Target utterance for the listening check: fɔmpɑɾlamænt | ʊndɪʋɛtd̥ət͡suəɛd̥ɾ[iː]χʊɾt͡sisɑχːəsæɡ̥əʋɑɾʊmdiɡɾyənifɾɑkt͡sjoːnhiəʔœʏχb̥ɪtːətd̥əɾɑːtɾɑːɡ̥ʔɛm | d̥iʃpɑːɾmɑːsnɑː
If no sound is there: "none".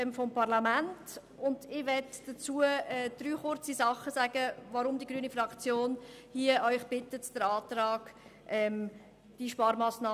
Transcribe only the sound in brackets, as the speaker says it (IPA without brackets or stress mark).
yː